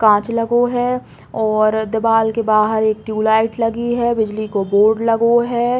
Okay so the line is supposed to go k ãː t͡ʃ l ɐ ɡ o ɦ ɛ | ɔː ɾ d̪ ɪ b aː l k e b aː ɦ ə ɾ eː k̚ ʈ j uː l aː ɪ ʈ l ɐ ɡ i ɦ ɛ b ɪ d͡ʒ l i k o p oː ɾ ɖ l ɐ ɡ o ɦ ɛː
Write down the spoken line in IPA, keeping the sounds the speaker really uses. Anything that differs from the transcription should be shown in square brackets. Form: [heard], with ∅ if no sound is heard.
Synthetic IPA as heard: k ãː t͡ʃ l ɐ ɡ o ɦ ɛ | ɔː ɾ d̪ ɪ b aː l k e b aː ɦ ə ɾ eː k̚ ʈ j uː l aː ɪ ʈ l ɐ ɡ i ɦ ɛ b ɪ d͡ʒ l i k o [b] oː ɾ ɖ l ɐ ɡ o ɦ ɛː